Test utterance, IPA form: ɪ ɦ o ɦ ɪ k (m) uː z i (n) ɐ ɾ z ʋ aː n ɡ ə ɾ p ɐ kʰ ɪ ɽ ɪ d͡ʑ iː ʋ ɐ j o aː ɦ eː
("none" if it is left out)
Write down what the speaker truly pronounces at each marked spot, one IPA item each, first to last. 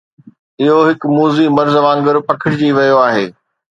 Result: m, m

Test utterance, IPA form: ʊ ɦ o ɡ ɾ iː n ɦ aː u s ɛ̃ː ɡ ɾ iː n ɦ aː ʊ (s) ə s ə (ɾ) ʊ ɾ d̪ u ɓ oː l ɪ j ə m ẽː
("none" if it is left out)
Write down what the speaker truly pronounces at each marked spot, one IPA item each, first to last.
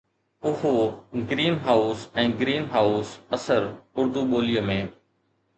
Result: s, ɾ

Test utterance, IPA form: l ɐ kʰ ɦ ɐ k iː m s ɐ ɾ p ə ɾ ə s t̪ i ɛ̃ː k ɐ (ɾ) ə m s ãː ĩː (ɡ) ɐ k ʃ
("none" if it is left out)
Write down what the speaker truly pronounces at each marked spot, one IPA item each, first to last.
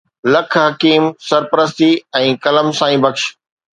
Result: l, b

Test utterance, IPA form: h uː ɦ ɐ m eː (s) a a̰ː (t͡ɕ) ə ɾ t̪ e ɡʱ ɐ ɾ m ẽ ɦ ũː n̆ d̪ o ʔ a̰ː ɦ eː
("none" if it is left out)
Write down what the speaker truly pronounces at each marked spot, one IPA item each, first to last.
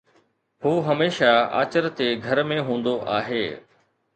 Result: ʃ, t͡ɕ

